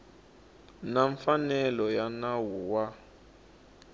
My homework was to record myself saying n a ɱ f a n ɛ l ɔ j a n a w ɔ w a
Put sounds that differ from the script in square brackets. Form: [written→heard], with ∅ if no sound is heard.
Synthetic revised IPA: n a ɱ f a n ɛ l ɔ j a n a w [ɔ→u] w a